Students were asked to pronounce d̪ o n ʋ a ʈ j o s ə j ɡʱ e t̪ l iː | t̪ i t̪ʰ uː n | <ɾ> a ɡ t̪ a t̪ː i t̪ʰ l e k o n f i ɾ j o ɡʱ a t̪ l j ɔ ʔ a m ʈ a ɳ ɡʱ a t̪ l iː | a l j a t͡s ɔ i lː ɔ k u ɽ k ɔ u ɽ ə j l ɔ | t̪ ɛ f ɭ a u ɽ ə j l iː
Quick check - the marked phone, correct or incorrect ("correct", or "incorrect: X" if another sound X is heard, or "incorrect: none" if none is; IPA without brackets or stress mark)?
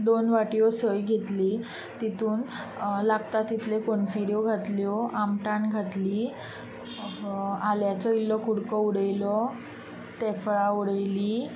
incorrect: l